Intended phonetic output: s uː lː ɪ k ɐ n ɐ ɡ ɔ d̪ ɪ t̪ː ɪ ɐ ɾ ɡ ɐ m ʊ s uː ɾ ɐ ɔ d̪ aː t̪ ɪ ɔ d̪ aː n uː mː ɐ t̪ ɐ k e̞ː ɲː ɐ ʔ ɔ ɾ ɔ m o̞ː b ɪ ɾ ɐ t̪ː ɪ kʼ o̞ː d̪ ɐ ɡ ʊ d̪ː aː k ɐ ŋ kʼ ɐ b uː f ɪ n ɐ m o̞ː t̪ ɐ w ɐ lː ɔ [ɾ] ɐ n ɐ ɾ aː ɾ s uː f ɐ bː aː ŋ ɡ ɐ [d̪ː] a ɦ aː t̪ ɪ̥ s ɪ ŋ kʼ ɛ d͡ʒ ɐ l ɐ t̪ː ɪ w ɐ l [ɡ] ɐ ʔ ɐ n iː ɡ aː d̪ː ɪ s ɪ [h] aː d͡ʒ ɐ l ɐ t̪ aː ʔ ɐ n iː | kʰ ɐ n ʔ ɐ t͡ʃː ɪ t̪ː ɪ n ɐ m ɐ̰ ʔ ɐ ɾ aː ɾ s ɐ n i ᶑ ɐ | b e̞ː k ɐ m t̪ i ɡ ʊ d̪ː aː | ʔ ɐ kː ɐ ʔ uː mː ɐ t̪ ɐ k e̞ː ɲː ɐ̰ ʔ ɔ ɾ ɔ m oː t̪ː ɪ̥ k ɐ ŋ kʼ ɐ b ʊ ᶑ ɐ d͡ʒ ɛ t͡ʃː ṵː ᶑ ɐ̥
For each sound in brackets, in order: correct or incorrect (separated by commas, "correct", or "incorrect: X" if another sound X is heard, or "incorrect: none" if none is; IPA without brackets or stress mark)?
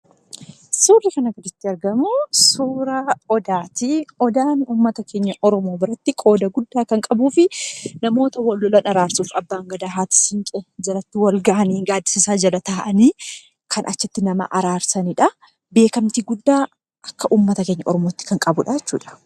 incorrect: l, incorrect: d̪, correct, incorrect: s